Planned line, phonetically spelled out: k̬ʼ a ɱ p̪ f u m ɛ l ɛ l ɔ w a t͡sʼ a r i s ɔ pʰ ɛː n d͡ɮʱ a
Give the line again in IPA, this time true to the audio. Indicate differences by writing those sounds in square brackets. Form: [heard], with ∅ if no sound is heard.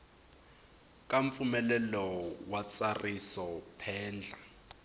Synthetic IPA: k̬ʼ a ɱ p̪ f u m ɛ l ɛ l ɔ w a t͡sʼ a r i s ɔ pʰ ɛː n d͡ɮʱ a